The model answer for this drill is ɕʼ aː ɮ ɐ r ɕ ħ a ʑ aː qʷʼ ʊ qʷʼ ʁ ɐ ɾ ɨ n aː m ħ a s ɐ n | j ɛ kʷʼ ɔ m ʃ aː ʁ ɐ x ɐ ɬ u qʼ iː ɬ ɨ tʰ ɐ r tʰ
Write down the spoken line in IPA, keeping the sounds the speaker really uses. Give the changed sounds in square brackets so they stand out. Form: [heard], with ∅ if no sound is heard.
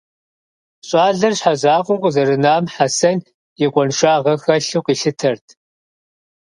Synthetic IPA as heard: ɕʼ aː ɮ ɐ r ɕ ħ a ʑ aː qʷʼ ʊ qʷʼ [z] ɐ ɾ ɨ n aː m ħ a s ɐ n | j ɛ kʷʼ ɔ [n] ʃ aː ʁ ɐ x ɐ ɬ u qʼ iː ɬ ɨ tʰ ɐ r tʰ